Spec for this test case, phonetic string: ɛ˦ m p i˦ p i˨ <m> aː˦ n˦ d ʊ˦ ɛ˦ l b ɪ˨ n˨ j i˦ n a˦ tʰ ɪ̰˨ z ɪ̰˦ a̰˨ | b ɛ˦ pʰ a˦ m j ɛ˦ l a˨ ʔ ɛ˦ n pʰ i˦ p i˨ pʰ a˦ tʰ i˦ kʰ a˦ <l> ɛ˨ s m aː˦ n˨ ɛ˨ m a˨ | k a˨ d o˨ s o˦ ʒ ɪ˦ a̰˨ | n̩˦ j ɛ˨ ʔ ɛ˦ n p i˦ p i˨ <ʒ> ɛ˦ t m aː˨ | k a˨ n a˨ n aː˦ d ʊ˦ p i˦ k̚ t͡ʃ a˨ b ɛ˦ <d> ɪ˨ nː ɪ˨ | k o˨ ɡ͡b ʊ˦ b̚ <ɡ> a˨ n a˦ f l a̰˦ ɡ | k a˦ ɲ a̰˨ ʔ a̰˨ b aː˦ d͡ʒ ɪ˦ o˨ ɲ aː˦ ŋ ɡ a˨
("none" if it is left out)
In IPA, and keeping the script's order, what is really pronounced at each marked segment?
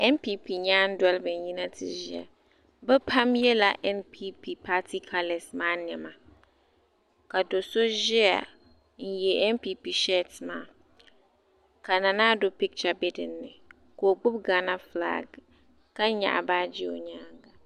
ɲ, l, ʃ, d, ɡ

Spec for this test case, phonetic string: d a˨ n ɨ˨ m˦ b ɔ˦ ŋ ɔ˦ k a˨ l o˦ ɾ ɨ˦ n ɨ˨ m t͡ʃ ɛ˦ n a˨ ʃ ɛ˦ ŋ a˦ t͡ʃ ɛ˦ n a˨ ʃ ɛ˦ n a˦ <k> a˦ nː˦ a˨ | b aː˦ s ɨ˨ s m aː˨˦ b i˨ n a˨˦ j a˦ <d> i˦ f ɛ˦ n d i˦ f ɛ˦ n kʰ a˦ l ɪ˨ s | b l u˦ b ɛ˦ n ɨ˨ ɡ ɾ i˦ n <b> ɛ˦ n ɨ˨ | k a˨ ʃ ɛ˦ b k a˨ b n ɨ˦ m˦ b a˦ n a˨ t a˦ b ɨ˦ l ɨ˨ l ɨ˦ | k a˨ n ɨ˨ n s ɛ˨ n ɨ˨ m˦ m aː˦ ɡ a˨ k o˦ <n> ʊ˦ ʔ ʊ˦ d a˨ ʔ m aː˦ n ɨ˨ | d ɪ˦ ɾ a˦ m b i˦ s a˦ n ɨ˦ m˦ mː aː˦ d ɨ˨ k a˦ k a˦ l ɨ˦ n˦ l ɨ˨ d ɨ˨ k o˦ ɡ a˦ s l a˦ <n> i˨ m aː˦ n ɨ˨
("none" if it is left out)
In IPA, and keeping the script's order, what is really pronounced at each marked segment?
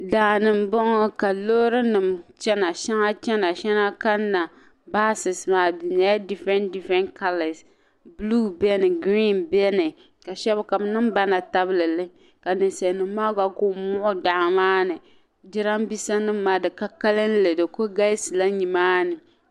k, d, b, m, ɲ

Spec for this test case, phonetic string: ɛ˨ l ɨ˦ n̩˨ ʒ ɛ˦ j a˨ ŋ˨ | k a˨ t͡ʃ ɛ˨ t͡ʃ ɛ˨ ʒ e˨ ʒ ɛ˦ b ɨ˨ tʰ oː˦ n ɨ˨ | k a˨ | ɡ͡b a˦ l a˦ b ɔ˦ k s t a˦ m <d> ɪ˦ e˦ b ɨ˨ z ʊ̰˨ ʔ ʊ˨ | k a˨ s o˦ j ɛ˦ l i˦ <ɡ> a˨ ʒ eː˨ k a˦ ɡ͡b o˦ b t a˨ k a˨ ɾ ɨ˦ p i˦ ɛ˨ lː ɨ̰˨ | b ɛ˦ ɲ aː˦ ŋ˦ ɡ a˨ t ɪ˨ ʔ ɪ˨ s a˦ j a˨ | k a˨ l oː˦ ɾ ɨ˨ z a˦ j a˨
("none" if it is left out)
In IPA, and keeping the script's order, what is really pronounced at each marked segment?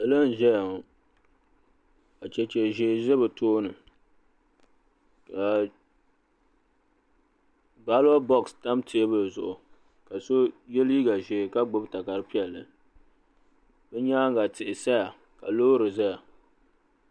t, ɡ

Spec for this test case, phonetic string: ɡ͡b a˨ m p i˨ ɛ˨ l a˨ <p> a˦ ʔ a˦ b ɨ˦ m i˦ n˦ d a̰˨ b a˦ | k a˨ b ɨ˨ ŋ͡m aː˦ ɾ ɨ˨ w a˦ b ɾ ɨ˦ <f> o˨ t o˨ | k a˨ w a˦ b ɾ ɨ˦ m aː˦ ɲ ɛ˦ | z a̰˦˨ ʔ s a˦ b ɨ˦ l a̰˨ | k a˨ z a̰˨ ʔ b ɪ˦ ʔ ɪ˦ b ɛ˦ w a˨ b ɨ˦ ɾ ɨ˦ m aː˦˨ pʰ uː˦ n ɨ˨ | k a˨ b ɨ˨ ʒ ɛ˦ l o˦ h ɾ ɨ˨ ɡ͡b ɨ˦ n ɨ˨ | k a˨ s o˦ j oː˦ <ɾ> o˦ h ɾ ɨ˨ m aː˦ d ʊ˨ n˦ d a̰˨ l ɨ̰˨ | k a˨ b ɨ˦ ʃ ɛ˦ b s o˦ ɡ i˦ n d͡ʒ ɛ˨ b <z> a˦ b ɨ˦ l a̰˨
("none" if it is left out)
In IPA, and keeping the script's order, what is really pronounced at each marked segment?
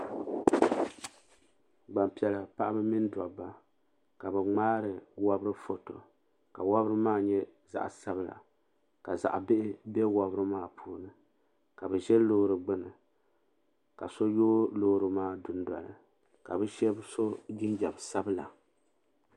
p, f, l, s

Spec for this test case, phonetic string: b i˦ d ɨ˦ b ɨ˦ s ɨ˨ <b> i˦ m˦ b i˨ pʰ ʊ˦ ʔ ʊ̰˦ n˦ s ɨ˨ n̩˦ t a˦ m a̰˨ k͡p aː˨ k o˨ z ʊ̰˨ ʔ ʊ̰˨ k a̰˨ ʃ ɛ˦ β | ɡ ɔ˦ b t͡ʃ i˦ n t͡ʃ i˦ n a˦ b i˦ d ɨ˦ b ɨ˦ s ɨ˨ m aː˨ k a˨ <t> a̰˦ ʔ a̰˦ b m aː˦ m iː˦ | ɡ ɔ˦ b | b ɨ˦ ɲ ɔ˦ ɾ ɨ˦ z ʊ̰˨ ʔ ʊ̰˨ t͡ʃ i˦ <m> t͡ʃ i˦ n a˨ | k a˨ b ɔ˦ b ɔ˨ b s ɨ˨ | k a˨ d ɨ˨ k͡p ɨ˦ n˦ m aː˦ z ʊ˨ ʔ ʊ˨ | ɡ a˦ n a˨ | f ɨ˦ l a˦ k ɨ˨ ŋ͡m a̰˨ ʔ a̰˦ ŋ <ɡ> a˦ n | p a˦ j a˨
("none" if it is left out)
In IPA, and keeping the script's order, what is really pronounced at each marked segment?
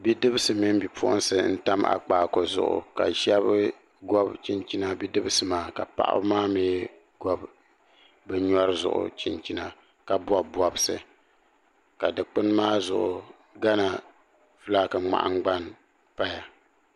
m, p, n, ɡ͡b

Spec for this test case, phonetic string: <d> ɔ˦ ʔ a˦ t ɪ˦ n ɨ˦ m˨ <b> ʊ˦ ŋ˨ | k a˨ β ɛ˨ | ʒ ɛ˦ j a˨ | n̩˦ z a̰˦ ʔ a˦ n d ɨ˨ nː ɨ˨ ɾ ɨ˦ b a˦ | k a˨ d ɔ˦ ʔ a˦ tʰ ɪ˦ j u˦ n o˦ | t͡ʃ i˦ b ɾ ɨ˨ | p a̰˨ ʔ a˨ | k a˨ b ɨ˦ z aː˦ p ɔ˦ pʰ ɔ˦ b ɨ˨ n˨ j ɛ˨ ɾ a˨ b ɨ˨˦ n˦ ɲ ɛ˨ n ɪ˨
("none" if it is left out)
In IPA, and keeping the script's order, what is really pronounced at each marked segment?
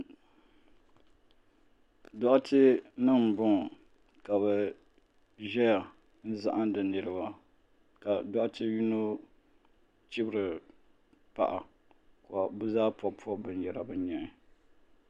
d, b

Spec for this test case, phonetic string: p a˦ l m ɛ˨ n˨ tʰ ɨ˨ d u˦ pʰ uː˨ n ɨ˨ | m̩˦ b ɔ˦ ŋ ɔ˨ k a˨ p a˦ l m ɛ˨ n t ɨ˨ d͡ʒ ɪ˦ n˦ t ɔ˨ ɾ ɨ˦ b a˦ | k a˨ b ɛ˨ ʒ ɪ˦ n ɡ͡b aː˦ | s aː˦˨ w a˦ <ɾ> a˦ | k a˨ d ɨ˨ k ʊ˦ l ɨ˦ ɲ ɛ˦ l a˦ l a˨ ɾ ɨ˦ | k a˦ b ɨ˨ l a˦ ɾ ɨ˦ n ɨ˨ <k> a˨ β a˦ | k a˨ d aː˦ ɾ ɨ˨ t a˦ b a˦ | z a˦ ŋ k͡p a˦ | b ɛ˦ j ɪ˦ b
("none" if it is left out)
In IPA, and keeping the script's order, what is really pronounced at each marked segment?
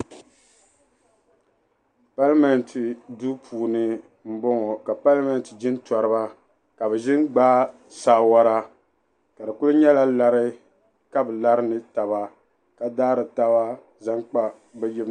ɾ, t

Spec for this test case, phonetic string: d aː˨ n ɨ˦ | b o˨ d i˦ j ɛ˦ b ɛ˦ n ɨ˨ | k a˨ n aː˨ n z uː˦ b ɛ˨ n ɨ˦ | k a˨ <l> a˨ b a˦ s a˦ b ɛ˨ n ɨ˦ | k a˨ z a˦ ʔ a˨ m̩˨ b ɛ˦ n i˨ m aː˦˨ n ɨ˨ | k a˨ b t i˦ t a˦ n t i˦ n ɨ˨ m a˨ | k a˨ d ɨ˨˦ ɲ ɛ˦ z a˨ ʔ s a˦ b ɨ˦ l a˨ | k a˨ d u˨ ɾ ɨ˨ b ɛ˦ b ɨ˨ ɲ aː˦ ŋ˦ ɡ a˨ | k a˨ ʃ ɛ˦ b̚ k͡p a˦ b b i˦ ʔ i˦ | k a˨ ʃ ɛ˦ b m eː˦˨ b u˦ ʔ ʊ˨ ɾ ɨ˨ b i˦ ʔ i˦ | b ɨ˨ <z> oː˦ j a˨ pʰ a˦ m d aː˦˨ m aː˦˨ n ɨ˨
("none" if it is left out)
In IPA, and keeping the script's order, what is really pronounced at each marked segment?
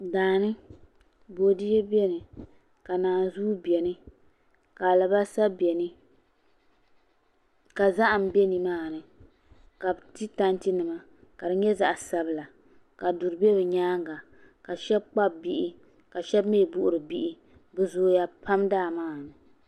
l, z

